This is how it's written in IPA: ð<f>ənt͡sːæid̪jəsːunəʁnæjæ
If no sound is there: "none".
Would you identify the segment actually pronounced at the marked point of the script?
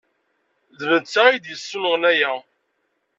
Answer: v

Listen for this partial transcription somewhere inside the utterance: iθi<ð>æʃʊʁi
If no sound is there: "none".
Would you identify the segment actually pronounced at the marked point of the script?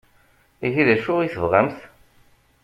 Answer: ð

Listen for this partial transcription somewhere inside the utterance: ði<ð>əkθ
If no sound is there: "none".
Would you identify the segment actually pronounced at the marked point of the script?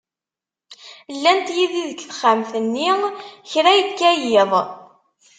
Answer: ð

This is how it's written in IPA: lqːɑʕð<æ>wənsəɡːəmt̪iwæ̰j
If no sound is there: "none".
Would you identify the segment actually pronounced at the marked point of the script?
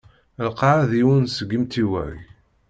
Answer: i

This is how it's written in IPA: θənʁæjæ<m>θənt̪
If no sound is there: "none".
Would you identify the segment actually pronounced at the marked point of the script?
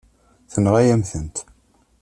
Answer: m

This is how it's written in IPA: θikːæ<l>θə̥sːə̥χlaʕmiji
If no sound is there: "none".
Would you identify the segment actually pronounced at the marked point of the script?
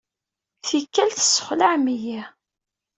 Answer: l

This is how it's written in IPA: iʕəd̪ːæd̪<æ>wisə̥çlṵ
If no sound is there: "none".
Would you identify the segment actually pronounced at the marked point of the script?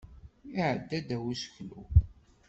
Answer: æ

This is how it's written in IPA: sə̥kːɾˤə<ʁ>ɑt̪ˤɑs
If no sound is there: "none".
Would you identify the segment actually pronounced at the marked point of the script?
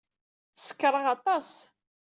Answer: ʁ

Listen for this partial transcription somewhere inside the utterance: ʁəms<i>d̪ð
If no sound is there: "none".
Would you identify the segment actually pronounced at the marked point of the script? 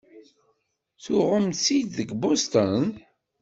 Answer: i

